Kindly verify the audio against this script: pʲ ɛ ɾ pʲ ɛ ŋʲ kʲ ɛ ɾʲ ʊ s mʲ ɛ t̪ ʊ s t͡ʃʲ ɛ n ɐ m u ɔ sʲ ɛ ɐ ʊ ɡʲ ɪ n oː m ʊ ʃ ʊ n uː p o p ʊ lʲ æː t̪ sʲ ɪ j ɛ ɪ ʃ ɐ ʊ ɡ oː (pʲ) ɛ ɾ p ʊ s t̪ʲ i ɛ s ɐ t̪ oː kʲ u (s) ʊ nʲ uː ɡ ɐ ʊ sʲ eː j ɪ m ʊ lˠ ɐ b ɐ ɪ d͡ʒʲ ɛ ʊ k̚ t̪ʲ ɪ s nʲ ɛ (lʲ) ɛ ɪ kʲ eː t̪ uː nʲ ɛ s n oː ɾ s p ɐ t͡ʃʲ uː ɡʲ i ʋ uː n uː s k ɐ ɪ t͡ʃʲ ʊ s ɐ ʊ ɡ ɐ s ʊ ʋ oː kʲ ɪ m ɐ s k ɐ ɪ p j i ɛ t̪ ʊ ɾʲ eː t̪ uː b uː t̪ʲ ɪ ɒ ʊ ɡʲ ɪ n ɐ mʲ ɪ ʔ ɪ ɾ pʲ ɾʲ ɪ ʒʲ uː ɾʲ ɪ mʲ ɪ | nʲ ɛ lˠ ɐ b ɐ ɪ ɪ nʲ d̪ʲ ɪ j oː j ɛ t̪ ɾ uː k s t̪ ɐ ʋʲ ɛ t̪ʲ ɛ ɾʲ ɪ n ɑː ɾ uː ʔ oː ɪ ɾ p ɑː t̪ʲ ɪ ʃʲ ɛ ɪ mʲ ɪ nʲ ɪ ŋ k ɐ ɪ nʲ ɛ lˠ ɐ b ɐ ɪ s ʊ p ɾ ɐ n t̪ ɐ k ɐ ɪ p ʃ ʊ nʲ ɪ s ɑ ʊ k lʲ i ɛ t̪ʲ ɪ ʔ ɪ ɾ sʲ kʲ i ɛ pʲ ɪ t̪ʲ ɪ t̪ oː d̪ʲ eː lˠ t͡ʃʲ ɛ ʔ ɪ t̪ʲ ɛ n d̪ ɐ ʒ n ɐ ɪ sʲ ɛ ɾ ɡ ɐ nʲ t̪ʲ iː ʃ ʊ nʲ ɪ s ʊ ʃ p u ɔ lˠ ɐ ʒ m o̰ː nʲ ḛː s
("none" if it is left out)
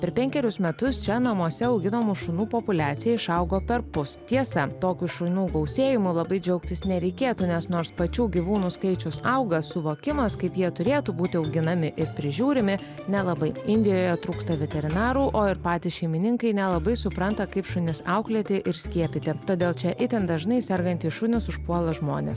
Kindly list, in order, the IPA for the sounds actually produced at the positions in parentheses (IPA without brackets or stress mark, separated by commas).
pʲ, ʃ, ɾʲ